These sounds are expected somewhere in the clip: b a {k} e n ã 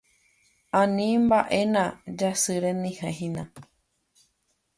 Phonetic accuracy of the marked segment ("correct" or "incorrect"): incorrect